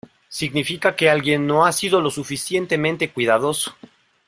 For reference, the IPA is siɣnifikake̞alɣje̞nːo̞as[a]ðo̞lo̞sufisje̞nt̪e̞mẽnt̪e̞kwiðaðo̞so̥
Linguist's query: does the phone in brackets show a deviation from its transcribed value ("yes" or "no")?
yes